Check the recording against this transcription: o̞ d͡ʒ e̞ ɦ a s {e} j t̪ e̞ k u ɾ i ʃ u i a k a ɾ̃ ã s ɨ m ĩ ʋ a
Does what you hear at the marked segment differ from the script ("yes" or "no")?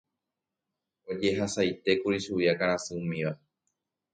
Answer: yes